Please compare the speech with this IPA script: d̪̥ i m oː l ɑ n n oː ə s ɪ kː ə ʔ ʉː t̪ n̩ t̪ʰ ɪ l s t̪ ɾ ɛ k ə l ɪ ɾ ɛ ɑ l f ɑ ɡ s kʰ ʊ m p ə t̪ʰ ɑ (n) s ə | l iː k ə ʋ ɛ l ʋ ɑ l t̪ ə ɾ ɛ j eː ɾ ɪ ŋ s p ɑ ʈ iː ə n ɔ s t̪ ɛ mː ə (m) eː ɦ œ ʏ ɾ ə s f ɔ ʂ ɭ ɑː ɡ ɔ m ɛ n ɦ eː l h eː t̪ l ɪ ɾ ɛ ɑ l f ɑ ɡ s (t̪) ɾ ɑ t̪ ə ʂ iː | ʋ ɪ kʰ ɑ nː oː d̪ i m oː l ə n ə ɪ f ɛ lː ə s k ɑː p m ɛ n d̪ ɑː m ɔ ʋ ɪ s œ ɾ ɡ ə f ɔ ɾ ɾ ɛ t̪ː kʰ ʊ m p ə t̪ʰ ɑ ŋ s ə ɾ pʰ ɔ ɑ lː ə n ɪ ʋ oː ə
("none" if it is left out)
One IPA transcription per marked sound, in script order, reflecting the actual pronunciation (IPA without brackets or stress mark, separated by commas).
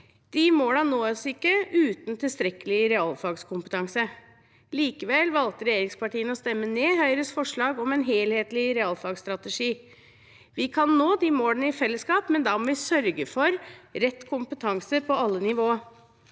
ŋ, n, t̪